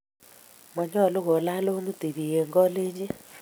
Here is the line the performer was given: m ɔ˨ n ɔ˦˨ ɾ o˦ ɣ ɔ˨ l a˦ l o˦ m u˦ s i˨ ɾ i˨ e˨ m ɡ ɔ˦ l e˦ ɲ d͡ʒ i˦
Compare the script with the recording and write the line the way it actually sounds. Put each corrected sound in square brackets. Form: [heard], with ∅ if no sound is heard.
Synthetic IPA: m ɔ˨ [ɲ] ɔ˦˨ [l] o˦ ɣ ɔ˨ l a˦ l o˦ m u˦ [t] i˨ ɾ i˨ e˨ [ŋ] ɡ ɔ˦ l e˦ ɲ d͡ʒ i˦